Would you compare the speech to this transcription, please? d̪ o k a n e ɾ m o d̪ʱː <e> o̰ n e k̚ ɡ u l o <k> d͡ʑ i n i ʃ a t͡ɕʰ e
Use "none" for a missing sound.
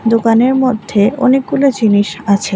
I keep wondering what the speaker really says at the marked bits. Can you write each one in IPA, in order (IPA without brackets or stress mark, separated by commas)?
e, none